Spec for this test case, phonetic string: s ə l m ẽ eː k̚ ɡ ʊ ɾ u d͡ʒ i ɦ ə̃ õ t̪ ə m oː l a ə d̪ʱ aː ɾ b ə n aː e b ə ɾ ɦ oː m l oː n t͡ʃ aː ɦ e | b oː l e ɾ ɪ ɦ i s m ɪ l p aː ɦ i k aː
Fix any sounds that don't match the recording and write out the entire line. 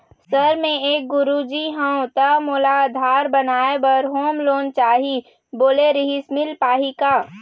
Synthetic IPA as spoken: s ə ɾ m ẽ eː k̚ ɡ ʊ ɾ u d͡ʒ i ɦ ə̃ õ t̪ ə m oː l a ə d̪ʱ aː ɾ b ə n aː e b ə ɾ ɦ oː m l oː n t͡ʃ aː ɦ i | b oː l e ɾ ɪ ɦ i s m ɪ l p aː ɦ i k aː